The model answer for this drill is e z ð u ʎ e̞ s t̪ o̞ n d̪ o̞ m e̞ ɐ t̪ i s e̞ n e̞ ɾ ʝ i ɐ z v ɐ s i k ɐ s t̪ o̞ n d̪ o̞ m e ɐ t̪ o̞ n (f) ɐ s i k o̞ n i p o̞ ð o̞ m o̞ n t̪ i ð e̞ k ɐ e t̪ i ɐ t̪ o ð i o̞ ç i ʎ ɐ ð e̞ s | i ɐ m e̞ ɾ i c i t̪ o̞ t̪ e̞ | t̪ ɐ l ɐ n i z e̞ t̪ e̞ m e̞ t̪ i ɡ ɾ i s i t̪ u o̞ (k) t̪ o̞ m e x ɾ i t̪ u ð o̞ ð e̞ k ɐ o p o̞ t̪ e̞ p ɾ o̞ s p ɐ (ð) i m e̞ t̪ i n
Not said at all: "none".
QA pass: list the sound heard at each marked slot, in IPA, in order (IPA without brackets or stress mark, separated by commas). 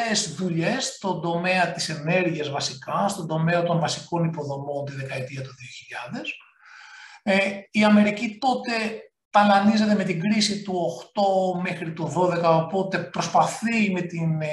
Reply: v, x, θ